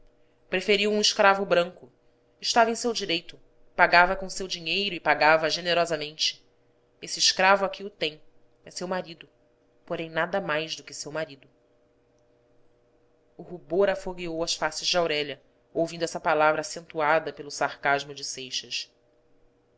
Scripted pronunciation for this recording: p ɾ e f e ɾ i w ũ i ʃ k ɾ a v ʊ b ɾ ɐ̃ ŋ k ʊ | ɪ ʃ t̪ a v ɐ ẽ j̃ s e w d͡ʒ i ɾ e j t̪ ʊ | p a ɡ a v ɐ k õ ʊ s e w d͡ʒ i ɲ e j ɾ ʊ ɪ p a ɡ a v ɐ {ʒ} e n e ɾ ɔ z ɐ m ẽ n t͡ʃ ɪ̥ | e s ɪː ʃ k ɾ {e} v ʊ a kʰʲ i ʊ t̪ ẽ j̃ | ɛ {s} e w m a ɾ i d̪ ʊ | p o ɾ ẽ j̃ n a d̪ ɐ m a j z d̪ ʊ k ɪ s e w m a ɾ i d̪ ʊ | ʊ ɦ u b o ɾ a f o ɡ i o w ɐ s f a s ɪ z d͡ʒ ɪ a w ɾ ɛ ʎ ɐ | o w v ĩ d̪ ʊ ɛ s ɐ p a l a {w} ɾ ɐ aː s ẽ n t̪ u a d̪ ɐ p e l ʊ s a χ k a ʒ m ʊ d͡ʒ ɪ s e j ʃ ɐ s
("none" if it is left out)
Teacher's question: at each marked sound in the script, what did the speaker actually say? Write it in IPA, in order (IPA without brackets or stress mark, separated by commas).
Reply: ʒ, a, s, v